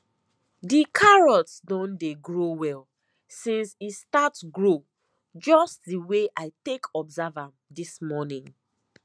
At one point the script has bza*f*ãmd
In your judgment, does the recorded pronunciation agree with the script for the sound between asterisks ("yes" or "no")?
no